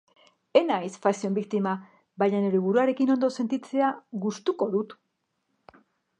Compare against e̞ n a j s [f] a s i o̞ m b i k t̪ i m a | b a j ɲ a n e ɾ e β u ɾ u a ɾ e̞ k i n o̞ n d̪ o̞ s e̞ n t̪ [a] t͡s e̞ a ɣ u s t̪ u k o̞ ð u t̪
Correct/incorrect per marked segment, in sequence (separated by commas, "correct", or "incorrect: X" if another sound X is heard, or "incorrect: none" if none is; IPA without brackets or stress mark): correct, incorrect: i